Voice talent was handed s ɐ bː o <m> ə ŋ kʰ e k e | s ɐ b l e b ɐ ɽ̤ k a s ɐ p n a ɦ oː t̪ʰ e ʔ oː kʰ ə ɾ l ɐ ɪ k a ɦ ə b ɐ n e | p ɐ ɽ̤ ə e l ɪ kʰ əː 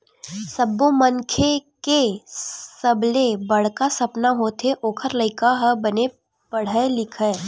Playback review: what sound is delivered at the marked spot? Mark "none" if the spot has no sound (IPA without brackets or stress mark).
m